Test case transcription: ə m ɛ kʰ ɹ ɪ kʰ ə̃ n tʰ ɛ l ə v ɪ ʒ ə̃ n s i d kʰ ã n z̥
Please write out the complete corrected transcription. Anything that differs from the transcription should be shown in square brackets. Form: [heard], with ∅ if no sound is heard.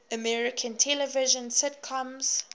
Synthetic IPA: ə m ɛ [∅] ɹ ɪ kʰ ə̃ n tʰ ɛ l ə v ɪ ʒ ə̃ n s [ɪ] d kʰ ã [m] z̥